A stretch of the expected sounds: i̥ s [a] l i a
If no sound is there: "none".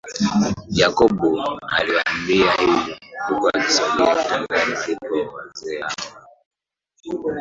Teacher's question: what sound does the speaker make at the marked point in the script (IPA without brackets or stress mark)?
a